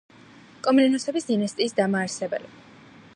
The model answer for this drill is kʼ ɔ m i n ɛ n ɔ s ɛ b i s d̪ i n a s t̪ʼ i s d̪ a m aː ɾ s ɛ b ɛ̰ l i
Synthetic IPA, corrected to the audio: kʼ ɔ m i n ɛ n ɔ s ɛ b i s d̪ i n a s t̪ʼ iː s d̪ a m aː ɾ s ɛ b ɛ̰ l i